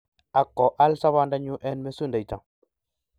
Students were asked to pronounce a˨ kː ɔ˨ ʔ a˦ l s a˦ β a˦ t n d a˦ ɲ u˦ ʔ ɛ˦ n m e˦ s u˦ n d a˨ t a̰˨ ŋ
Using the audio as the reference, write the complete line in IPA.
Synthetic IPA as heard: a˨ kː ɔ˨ ʔ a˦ l s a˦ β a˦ n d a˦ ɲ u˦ ʔ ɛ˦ n m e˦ s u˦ n d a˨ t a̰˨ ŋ